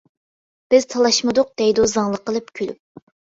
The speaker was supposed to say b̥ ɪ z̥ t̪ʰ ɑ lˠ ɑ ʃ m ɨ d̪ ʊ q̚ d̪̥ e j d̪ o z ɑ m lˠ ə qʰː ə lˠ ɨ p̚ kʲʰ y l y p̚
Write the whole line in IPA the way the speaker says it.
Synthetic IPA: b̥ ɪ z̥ t̪ʰ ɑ lˠ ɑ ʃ m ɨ d̪ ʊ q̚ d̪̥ ɛ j d̪ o z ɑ ŋ lˠ ə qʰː ə lˠ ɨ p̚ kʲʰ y l y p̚